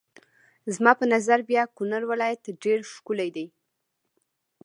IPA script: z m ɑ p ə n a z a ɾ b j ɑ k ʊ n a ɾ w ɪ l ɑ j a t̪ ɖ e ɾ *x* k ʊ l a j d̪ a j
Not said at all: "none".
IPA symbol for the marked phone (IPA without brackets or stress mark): ʃ